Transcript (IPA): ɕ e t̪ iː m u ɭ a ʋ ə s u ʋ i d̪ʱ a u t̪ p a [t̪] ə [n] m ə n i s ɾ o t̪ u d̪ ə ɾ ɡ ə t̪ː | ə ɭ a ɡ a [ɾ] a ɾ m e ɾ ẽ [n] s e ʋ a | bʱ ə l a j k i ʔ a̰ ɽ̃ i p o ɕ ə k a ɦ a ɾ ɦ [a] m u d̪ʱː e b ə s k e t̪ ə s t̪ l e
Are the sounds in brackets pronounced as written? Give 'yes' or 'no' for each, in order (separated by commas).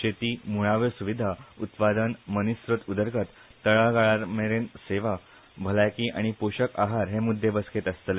no, yes, no, yes, no